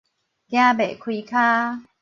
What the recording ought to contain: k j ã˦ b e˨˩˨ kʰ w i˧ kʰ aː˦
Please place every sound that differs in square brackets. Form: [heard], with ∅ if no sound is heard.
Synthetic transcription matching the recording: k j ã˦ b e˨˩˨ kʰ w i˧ kʰ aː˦